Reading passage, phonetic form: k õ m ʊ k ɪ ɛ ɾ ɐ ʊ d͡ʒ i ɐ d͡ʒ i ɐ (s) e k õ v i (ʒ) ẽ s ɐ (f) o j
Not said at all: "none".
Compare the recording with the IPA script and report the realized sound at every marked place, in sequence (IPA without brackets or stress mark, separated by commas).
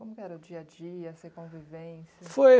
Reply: s, v, f